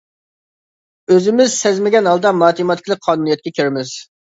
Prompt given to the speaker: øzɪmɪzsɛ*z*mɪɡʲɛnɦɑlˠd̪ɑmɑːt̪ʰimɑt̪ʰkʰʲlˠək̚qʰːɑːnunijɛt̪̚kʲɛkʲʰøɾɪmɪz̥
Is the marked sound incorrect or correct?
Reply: correct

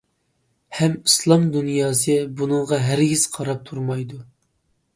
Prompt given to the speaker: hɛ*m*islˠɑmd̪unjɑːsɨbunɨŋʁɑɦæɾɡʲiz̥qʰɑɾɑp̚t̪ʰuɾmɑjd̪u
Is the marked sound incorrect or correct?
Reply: correct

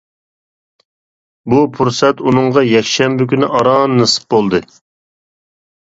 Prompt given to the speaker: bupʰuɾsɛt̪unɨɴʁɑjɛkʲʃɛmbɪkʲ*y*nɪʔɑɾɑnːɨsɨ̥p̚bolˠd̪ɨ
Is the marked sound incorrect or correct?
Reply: correct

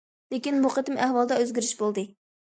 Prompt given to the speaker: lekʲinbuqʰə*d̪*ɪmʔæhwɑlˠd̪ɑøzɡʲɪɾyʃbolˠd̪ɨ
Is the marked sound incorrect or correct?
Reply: incorrect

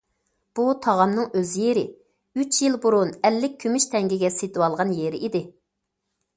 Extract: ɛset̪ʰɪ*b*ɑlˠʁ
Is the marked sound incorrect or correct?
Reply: incorrect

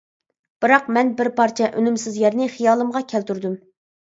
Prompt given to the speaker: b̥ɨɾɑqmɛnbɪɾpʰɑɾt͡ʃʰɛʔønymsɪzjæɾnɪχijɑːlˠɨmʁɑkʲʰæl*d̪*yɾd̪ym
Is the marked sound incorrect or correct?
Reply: incorrect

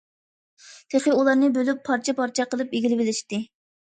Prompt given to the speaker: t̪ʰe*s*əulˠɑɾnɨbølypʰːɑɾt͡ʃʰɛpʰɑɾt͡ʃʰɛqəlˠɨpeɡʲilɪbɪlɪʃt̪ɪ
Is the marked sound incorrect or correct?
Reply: incorrect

